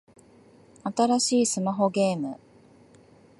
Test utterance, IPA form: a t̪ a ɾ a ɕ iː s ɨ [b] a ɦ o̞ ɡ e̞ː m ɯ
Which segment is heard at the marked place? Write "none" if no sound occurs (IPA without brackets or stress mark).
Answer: m